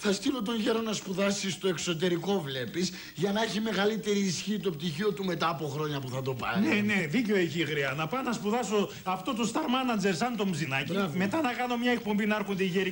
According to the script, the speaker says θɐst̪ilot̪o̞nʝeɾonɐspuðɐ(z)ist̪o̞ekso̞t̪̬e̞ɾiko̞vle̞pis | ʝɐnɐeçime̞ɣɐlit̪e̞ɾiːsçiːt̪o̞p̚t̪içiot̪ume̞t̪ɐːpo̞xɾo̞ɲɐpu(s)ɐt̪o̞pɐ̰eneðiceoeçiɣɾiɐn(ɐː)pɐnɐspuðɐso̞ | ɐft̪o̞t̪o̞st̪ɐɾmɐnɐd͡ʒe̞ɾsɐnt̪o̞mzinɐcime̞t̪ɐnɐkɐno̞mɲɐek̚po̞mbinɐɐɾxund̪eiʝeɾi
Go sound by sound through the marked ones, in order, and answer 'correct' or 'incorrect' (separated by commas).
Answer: incorrect, incorrect, incorrect